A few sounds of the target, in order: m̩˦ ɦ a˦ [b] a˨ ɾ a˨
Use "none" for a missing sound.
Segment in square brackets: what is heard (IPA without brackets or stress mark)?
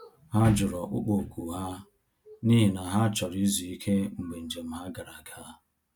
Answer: ɡ